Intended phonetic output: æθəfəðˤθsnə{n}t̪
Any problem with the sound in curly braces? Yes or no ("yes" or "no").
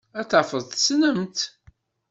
yes